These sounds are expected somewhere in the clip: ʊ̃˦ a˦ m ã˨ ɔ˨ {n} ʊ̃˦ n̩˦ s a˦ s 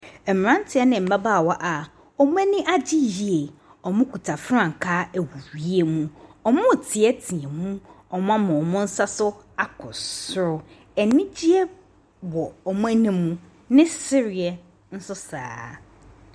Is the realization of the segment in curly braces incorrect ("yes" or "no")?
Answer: yes